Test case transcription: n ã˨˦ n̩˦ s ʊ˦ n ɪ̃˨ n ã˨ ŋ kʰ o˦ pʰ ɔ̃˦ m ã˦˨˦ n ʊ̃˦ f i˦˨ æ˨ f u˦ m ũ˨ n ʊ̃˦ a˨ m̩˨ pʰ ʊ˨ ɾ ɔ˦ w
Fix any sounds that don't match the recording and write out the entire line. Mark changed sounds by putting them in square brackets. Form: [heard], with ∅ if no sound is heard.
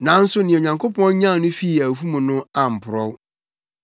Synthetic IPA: n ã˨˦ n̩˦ s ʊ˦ n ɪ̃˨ [ɲ] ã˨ ŋ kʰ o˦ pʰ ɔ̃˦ [ɲ] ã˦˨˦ n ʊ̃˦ f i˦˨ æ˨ f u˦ m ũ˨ n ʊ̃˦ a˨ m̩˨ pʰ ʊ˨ ɾ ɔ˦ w